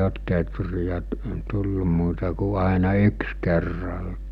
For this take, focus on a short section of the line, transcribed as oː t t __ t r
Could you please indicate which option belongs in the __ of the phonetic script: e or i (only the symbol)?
e